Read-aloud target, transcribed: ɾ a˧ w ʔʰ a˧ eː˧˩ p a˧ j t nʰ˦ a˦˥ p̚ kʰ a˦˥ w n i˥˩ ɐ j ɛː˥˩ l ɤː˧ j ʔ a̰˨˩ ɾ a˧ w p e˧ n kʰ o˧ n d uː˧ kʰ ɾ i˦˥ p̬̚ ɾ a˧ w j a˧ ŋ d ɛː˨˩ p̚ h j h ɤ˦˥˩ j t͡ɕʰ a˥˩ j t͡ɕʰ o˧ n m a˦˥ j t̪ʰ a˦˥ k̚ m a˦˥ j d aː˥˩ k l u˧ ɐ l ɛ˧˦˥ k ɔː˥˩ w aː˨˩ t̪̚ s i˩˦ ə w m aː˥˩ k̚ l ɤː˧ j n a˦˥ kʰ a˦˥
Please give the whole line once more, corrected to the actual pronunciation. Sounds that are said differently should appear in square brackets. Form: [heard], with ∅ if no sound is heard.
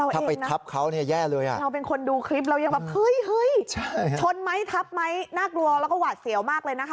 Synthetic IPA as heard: ɾ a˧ w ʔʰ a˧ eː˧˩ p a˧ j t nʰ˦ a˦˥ p̚ kʰ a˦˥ w n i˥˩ ɐ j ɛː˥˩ l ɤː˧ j ʔ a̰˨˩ ɾ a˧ w p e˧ n kʰ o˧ n d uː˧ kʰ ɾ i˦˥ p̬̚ ɾ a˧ w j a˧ ŋ [b] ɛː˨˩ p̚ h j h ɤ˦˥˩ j t͡ɕʰ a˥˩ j t͡ɕʰ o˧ n m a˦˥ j t̪ʰ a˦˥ [p̚] m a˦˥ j [n] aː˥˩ k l u˧ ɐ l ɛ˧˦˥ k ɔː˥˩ w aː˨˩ t̪̚ s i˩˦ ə w m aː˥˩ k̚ l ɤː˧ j n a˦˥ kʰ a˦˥